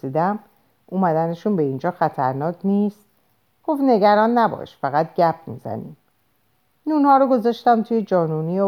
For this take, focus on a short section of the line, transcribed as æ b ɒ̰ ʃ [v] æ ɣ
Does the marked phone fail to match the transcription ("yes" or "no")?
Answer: yes